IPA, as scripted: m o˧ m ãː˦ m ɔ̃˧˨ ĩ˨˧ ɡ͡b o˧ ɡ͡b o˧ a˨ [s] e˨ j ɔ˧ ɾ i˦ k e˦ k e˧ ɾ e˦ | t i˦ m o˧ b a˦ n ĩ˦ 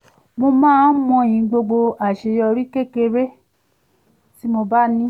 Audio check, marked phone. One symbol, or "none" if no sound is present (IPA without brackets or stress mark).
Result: ʃ